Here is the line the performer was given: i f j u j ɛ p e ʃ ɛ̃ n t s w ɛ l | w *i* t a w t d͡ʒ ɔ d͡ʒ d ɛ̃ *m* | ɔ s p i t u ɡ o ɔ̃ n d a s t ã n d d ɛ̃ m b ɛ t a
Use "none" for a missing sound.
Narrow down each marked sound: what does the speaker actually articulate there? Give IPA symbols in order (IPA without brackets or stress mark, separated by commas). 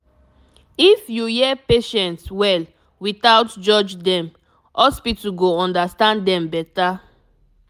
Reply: i, m